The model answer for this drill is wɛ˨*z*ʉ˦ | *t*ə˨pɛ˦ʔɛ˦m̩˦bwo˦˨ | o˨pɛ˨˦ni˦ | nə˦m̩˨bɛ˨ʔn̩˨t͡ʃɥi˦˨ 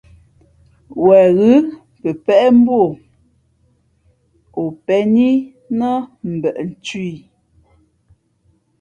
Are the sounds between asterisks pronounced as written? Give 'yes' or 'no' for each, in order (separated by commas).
no, no